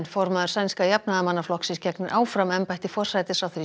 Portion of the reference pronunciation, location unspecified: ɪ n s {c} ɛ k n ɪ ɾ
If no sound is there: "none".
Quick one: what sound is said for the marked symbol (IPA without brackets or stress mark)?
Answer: c